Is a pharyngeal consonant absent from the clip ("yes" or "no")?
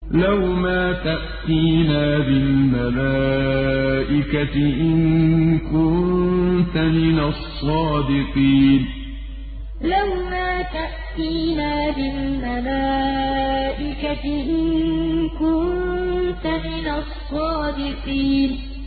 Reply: yes